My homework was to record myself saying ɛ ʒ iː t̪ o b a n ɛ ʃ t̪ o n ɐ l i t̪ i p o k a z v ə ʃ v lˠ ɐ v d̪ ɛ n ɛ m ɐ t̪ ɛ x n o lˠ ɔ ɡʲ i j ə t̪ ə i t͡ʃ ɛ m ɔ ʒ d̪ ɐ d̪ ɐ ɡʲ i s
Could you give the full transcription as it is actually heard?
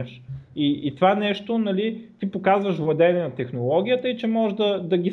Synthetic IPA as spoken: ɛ ʃ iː t̪ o v a n ɛ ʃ t̪ o n ɐ l i t̪ i p o k a z v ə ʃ v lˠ ɐ d̪ ɛ n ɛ n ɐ t̪ ɛ x n o lˠ ɔ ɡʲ i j ə t̪ ə i t͡ʃ ɛ m ɔ ʒ d̪ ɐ d̪ ɐ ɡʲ i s